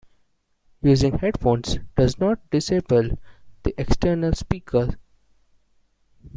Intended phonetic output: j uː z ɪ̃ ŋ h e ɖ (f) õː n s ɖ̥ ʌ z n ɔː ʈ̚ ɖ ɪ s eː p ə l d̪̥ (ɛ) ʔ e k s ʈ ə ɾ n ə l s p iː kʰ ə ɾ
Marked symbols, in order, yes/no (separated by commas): yes, no